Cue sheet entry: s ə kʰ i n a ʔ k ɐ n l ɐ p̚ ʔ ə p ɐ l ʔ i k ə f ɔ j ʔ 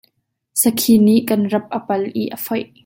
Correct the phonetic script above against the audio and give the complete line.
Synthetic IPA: s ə kʰ i n i ʔ k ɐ n r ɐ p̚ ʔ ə p ɐ l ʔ i ʔ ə f ɔ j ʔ